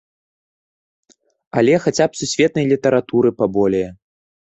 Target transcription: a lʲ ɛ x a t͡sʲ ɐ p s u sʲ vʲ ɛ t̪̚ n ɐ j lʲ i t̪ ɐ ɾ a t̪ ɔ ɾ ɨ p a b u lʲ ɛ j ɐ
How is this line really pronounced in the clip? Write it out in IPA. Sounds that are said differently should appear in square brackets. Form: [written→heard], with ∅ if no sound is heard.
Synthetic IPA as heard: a lʲ ɛ x a t͡sʲ [ɐ→a] p s u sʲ vʲ ɛ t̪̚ n ɐ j lʲ i t̪ ɐ ɾ a t̪ [ɔ→u] ɾ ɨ p a b [u→ɔ] lʲ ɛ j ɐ